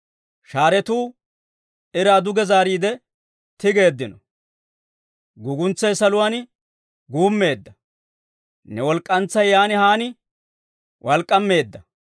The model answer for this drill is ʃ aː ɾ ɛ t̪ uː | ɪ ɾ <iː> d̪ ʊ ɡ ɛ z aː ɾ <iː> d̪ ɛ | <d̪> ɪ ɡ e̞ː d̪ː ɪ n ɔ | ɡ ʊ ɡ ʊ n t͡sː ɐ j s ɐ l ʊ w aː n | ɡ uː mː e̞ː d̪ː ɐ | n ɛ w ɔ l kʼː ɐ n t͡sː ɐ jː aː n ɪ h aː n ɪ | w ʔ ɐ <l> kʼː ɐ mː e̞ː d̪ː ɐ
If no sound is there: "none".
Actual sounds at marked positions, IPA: aː, iː, t̪, l

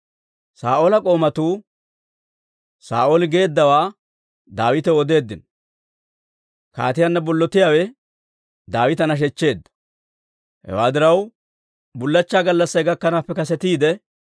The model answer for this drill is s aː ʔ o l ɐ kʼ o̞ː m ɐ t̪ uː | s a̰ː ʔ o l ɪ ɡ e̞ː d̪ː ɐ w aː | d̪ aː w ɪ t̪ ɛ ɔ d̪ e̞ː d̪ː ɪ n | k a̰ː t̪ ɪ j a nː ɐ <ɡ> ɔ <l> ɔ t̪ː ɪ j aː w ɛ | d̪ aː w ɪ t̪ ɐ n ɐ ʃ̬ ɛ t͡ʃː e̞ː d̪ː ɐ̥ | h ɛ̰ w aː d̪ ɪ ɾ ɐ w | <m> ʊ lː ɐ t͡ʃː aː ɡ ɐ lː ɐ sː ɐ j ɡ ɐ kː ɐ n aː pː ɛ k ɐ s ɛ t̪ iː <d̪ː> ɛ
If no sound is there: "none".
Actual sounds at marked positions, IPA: b, lː, b, d̪

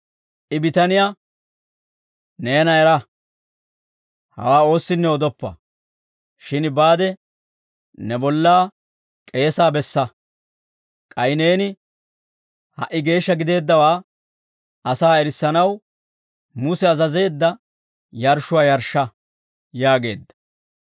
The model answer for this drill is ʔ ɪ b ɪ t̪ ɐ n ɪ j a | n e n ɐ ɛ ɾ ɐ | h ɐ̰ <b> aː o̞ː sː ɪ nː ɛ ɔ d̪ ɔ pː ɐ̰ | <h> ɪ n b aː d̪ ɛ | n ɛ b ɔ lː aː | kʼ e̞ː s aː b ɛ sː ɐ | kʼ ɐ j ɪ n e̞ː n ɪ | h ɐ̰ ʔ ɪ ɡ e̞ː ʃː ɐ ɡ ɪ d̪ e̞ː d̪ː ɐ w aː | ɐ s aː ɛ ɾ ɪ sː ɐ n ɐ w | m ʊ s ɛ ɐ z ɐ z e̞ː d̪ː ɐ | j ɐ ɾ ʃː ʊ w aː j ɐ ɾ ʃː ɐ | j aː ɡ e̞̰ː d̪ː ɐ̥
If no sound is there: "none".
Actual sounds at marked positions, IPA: w, ʃ

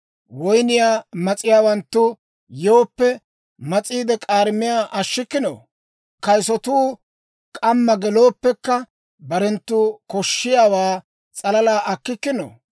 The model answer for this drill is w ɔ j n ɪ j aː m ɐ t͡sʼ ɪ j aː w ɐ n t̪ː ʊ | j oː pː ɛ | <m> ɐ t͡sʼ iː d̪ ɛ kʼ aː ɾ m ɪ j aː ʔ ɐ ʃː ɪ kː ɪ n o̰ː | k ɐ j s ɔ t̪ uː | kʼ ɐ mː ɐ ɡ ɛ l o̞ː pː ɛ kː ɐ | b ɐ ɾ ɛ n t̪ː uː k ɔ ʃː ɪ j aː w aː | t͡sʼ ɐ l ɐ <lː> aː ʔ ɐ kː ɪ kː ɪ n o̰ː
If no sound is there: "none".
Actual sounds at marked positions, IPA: m, l

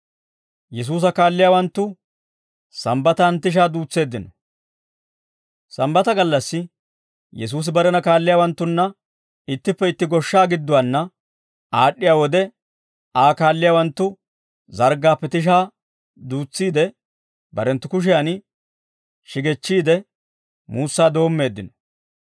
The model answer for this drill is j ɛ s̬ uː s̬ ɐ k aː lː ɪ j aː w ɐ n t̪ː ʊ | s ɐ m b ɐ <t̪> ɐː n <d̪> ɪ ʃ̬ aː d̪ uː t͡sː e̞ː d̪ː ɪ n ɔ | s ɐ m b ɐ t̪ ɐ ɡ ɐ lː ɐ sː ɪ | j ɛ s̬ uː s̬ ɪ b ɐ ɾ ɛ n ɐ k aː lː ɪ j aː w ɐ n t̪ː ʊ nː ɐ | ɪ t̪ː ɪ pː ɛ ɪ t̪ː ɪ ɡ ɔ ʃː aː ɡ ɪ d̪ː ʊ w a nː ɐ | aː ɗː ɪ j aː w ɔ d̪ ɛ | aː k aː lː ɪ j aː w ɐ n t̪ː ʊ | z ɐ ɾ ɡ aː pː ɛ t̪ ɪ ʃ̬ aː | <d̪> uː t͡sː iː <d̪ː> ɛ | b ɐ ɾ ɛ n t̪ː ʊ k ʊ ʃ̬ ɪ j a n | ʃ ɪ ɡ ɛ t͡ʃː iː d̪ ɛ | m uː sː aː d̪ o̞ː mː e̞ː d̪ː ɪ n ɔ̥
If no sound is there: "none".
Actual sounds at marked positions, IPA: t̪, t̪, d̪, d̪

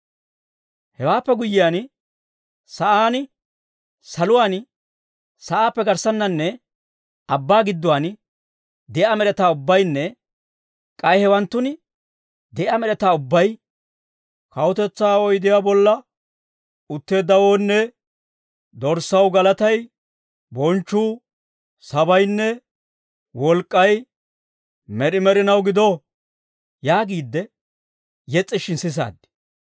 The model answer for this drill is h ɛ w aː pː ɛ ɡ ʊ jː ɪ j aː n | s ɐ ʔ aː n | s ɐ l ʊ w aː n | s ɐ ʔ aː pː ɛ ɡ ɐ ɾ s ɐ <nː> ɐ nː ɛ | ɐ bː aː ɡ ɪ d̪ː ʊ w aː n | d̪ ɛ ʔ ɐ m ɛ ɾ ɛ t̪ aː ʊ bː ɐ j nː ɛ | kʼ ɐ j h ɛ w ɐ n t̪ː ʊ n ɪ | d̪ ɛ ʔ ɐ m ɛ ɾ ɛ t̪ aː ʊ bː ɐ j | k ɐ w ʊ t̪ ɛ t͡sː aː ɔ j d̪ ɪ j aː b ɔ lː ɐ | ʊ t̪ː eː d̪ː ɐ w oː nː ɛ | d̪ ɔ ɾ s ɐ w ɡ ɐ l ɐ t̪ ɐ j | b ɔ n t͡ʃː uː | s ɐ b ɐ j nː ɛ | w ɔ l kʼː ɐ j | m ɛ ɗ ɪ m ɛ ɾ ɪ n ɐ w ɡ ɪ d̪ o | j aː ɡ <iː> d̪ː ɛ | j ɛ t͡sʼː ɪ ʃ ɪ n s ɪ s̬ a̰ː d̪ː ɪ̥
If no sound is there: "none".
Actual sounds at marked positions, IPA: nː, iː

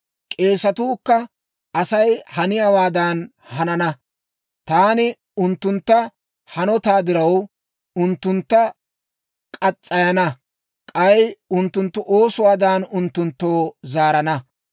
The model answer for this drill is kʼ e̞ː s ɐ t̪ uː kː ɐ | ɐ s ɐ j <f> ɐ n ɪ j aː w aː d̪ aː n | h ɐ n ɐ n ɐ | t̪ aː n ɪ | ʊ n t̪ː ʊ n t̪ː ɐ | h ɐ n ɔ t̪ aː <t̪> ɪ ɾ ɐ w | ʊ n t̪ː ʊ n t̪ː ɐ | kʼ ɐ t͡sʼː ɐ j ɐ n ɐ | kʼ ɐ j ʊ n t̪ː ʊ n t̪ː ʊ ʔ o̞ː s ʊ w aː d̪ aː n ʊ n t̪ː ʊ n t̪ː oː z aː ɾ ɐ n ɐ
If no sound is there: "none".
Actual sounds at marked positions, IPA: h, d̪

